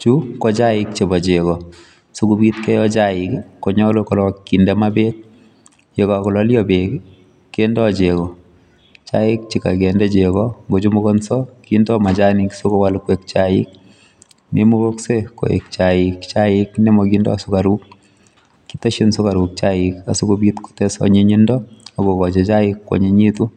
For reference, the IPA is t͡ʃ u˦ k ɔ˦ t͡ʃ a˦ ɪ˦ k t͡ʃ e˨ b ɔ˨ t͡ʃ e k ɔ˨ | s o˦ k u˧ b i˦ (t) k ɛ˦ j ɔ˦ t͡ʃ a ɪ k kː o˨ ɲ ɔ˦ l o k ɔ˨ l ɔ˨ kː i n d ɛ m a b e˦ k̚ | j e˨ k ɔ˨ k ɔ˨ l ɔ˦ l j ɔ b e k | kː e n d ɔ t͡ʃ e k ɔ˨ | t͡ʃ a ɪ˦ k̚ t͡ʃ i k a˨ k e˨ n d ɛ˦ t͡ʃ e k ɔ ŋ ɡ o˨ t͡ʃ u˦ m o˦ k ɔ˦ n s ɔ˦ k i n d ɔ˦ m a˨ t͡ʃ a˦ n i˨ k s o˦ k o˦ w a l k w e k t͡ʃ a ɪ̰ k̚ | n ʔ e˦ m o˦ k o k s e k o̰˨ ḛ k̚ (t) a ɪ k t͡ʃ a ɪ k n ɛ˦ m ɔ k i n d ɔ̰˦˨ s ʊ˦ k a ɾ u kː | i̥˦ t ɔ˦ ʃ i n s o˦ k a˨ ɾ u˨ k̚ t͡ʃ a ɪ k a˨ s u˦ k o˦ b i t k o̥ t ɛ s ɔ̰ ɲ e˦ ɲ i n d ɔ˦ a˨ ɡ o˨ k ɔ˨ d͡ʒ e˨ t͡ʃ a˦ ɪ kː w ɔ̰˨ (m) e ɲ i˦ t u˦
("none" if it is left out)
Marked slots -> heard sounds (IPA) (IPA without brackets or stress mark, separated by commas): t, t͡ʃ, ɲ